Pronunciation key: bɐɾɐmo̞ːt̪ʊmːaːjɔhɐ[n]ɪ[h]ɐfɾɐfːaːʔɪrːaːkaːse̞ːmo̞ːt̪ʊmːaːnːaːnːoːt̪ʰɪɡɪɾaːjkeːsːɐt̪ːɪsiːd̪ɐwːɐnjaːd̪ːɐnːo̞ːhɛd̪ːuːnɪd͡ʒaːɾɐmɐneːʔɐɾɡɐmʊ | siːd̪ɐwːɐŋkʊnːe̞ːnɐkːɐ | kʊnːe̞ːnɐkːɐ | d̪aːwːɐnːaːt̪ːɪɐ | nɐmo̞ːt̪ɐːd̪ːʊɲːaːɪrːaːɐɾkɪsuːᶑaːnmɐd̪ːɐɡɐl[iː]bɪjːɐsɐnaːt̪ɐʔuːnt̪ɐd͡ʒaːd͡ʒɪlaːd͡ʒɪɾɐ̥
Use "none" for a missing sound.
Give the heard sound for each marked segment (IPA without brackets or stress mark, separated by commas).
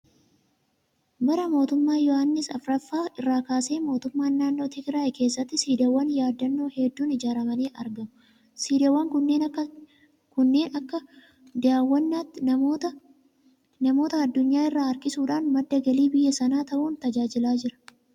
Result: nː, s, iː